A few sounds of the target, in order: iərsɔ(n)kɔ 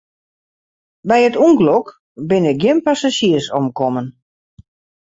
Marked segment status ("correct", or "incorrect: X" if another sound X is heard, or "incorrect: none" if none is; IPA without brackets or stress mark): incorrect: m